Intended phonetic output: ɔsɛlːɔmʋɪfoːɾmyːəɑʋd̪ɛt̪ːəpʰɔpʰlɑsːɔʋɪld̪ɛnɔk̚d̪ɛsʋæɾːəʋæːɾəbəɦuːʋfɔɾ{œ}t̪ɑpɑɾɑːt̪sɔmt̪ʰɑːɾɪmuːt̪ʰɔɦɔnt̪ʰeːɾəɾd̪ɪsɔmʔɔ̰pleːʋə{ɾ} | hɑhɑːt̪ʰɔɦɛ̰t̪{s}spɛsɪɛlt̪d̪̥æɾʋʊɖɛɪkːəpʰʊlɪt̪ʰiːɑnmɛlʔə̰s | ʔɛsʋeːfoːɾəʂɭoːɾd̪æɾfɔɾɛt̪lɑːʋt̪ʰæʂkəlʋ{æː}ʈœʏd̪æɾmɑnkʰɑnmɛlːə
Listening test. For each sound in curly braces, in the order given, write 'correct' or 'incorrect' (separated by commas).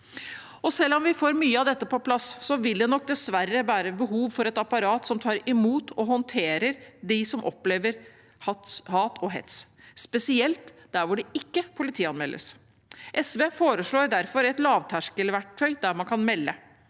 incorrect, correct, correct, incorrect